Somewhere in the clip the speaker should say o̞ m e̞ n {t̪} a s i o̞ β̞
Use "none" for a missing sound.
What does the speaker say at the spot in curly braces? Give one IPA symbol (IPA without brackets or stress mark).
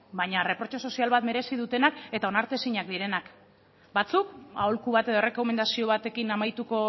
d̪